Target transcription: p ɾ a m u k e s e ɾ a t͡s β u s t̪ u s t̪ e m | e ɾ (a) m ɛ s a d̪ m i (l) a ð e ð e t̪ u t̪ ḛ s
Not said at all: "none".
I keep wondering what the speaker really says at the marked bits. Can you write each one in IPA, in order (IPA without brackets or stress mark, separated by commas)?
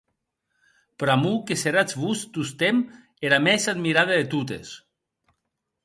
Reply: a, ɾ